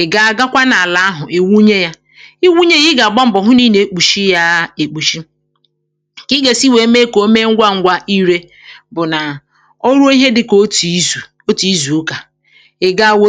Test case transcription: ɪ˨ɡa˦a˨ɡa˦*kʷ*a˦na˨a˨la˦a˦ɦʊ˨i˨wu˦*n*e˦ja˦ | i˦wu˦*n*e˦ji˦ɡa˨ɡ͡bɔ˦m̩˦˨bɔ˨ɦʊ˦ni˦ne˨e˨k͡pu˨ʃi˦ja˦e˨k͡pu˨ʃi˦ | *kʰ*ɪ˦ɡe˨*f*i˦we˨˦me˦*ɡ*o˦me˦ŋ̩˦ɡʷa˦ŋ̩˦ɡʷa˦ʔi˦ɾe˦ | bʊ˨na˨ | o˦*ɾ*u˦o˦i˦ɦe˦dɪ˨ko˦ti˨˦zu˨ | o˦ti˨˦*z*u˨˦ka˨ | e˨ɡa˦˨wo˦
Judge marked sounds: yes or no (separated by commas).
yes, no, no, no, no, no, yes, yes